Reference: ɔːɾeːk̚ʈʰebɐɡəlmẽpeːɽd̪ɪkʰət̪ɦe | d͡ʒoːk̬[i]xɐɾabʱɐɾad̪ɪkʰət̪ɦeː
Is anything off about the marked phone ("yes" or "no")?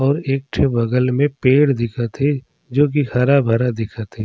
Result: no